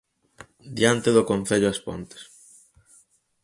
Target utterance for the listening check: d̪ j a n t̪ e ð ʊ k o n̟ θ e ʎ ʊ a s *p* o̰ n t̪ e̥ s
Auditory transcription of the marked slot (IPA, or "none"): p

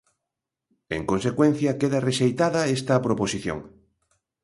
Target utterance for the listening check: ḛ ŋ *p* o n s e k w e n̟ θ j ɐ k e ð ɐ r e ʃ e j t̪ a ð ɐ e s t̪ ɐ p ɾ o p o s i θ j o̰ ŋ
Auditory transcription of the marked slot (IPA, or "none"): k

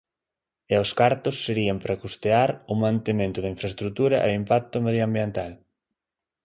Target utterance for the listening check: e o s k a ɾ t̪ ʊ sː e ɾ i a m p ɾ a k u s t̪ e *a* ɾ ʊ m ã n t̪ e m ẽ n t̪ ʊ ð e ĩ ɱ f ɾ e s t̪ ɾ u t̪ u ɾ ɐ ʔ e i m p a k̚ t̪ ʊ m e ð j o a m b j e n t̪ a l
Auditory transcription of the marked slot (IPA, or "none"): a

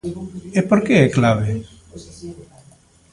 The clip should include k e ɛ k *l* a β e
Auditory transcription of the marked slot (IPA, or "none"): l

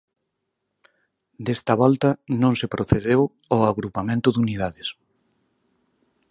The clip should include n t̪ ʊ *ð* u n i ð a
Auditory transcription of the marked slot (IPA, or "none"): ð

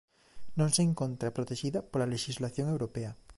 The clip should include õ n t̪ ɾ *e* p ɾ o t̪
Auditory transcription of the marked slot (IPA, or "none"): a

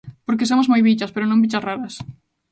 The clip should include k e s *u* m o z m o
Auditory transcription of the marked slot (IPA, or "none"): o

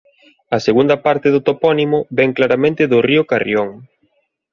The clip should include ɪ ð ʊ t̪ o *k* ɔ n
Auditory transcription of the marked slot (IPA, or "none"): p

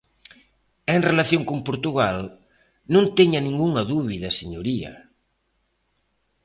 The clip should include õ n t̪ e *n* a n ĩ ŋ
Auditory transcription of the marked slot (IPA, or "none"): ɲ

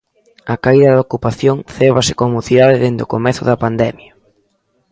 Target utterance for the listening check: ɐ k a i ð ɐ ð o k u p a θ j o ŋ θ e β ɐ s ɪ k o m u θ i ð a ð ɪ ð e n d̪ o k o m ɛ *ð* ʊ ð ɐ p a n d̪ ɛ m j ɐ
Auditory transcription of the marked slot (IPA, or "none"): θ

